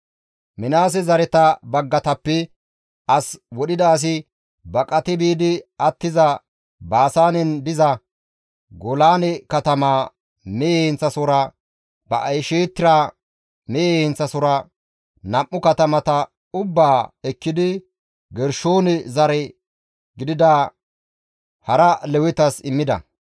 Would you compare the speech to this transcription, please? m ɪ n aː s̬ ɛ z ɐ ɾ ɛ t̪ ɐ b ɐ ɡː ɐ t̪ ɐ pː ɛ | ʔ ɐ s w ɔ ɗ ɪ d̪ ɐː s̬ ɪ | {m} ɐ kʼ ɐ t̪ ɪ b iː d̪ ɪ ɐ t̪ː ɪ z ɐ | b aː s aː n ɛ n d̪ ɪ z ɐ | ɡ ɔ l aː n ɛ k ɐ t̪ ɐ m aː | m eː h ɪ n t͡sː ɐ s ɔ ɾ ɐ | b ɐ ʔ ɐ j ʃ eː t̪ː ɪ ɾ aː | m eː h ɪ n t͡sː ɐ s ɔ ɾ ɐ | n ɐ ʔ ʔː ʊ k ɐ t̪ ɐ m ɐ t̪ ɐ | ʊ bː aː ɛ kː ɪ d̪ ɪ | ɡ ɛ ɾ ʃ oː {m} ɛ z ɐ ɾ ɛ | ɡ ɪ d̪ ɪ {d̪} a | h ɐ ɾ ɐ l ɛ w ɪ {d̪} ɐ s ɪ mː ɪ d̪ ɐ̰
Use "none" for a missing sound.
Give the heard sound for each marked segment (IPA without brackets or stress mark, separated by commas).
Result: b, n, d̪, t̪